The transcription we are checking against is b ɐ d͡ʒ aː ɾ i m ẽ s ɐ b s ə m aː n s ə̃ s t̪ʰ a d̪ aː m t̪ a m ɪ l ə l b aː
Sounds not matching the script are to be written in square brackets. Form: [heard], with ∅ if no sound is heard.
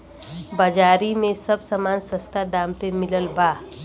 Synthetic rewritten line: b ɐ d͡ʒ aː ɾ i m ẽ s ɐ b s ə m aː n s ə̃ s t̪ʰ a d̪ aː m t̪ [e] m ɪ l ə l b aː